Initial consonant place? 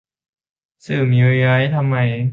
alveolar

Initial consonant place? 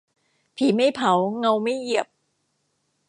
labial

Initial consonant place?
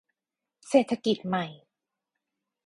alveolar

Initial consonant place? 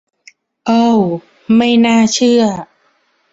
glottal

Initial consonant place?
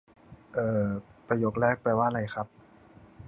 glottal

